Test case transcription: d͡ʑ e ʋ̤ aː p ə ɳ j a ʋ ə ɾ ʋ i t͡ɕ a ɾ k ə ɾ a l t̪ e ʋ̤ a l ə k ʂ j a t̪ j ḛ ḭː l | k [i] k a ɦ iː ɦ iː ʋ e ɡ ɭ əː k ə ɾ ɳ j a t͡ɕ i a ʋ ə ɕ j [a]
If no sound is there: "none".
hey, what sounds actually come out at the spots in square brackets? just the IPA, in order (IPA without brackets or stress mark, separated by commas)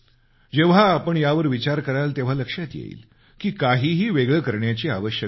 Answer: iː, ə